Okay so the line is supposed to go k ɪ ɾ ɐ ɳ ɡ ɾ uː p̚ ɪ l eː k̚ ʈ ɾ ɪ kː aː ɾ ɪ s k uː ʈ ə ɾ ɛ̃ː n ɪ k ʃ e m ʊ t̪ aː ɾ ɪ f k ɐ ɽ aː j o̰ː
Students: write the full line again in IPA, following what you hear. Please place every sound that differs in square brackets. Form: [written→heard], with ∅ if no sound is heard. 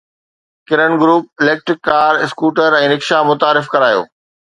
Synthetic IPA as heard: k ɪ ɾ [ɐ→ə] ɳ ɡ ɾ uː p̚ ɪ l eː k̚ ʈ ɾ ɪ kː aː ɾ ɪ s k uː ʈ ə ɾ ɛ̃ː n ɪ k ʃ [e→a] m ʊ t̪ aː ɾ ɪ f k ɐ [ɽ→ɾ] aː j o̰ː

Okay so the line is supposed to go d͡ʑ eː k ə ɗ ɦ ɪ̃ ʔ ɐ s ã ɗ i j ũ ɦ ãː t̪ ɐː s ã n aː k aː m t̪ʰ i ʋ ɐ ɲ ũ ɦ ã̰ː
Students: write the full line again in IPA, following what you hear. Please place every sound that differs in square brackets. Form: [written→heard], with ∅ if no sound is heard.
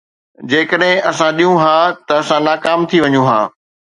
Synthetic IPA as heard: d͡ʑ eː k ə ɗ ɦ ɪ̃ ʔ ɐ s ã ɗ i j ũ ɦ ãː t̪ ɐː s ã n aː k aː m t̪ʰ i ʋ ɐ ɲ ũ ɦ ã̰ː

